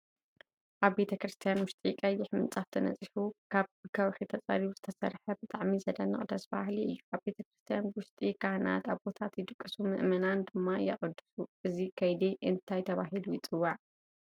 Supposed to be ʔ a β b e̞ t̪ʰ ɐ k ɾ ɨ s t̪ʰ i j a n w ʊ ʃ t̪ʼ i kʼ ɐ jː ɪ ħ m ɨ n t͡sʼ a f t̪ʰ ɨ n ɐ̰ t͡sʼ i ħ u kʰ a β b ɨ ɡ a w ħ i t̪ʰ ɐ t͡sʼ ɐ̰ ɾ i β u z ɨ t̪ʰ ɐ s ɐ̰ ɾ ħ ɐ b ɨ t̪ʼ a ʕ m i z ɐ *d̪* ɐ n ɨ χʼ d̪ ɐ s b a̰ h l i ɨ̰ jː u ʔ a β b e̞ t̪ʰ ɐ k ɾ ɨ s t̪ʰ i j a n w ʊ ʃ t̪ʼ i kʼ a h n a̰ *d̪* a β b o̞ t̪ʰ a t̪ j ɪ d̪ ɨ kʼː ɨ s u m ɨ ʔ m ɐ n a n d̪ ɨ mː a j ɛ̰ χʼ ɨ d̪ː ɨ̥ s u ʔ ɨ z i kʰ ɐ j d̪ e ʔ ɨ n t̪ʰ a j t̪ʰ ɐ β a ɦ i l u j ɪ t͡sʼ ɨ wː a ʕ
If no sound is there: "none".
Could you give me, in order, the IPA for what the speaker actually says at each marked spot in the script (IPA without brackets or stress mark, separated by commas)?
d̪, t̪